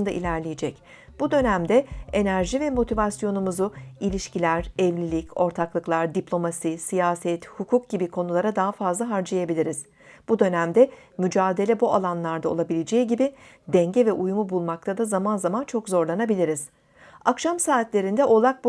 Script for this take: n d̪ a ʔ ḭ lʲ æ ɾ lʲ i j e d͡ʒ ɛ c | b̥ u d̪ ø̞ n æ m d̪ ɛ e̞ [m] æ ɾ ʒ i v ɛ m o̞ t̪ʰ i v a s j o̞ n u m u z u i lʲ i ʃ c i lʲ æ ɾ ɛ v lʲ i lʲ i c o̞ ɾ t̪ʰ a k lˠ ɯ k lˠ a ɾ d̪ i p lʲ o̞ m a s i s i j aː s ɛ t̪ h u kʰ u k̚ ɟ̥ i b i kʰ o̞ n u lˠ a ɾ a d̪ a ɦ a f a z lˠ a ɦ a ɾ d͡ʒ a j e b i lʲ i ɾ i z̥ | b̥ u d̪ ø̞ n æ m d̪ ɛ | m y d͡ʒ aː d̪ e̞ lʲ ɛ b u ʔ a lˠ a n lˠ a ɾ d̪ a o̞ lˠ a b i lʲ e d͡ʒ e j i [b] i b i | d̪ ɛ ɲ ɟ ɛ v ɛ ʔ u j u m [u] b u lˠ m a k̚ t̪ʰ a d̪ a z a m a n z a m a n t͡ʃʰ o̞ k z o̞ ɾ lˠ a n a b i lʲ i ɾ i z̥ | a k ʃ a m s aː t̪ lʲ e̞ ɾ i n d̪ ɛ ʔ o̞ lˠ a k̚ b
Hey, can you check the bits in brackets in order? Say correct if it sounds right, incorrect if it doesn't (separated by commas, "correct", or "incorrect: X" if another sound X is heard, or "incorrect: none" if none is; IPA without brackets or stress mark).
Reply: incorrect: n, incorrect: ɟ, correct